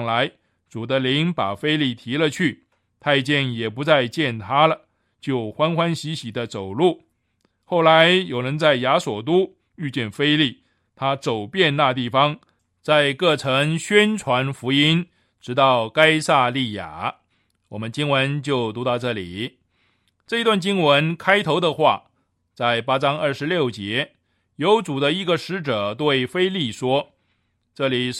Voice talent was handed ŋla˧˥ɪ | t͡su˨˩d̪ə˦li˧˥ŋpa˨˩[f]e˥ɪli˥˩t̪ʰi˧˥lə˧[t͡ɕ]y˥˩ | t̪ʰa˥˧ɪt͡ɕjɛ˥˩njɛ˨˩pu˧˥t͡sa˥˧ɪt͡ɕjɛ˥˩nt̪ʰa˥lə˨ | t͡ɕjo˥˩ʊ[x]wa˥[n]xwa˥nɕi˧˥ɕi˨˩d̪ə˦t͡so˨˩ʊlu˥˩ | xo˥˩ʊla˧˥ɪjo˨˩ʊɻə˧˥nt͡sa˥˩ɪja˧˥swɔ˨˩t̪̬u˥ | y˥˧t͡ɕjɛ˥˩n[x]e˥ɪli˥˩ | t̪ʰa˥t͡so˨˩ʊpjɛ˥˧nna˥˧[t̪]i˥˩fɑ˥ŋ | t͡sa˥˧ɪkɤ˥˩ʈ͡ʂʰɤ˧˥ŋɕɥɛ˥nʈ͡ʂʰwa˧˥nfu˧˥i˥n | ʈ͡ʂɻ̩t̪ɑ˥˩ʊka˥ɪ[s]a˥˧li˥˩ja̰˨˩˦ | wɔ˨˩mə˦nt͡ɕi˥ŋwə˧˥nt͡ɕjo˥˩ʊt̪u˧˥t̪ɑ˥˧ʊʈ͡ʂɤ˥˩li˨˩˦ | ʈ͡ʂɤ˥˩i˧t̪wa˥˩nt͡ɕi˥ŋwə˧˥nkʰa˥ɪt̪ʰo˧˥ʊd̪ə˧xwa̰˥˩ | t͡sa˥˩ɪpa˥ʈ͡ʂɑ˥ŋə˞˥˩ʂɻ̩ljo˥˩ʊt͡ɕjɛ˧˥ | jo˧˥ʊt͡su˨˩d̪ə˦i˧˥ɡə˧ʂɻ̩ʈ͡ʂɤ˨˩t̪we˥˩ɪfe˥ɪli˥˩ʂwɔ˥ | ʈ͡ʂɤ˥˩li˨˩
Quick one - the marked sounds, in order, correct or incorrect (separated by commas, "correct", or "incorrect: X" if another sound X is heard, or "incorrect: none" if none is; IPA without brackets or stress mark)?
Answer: correct, incorrect: t͡ɕʰ, correct, correct, incorrect: f, correct, correct